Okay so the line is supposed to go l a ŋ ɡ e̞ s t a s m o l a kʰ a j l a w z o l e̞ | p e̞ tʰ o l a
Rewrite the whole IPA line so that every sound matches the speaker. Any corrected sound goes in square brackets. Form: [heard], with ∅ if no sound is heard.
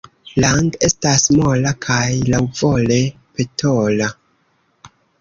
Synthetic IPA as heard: l a ŋ ɡ e̞ s t a s m o l a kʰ a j l a w [v] o l e̞ | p e̞ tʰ o l a